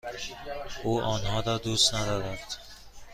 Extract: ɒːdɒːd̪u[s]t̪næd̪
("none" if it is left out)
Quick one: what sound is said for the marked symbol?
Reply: s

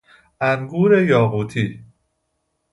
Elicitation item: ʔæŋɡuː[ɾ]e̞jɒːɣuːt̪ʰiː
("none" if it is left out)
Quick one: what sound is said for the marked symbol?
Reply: ɾ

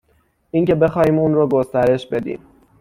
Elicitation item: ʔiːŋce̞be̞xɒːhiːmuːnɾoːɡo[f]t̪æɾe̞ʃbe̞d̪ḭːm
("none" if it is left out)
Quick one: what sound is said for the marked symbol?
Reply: s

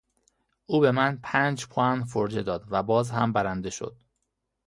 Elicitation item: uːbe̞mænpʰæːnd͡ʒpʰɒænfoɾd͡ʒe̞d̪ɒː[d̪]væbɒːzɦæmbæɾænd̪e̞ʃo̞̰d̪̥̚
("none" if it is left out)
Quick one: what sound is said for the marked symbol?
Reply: d̪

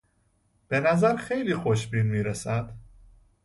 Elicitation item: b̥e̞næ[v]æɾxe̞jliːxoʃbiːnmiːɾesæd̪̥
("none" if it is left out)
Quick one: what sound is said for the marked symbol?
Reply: z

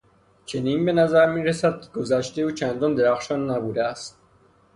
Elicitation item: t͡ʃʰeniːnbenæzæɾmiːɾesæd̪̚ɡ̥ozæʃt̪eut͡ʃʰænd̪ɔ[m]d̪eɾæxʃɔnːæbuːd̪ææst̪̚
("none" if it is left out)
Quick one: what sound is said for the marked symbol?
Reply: n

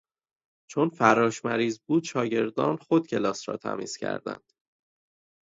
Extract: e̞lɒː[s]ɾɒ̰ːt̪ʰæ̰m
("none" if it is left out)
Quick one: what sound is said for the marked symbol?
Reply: s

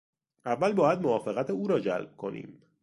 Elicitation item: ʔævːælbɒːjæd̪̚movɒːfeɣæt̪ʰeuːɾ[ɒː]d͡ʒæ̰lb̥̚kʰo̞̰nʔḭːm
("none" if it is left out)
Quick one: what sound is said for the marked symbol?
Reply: ɒː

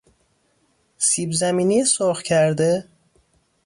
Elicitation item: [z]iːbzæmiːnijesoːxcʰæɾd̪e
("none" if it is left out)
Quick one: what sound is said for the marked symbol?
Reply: s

